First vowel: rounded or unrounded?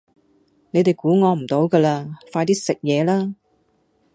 unrounded